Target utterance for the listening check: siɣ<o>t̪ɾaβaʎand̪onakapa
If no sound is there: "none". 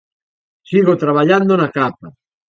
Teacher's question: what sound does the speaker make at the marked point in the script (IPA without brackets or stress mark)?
o